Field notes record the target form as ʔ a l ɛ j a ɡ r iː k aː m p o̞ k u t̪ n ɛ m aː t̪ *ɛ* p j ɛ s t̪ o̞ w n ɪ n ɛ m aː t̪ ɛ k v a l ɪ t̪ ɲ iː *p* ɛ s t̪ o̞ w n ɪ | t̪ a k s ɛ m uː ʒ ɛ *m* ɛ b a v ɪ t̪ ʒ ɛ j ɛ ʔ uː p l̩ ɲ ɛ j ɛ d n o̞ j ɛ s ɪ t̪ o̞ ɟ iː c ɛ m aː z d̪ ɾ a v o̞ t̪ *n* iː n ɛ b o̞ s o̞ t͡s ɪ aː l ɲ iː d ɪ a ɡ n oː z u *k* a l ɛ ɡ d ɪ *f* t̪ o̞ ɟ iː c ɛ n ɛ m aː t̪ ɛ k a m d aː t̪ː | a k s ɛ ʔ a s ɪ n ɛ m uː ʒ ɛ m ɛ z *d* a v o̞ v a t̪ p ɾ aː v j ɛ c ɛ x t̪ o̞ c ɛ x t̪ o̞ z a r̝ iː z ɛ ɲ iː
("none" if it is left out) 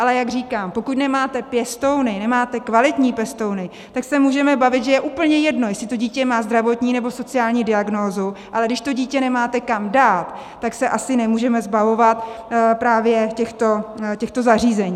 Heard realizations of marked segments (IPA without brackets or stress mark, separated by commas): ɛ, p, m, ɲ, ʔ, ʃ, b